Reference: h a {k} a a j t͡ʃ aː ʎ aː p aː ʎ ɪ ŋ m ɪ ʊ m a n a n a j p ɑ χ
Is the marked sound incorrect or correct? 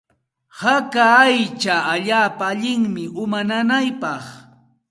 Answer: correct